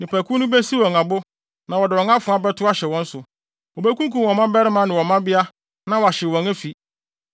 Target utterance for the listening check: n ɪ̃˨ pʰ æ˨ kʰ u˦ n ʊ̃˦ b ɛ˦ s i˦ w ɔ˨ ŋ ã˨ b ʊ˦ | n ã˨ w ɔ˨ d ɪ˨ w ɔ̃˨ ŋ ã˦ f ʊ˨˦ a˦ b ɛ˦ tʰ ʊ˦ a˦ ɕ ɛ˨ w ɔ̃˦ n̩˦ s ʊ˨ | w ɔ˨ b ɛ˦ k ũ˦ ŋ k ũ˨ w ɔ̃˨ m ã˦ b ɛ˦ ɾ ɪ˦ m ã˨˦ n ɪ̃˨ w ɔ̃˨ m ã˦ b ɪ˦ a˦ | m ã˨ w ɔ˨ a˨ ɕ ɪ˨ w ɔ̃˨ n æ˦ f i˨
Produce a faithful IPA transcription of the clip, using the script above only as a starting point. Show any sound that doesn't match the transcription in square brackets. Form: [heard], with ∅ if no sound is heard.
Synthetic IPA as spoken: n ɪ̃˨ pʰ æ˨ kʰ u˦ n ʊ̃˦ b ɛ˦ s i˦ w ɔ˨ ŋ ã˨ b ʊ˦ | n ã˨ w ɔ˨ d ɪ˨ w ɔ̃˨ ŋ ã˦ f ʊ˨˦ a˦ b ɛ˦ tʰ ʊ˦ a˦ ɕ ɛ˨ w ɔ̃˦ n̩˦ s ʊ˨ | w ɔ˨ b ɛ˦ k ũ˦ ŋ k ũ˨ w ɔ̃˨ m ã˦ b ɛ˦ ɾ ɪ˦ m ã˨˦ n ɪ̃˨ w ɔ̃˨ m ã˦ b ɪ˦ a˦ | [n] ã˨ w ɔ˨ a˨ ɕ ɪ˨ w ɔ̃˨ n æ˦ f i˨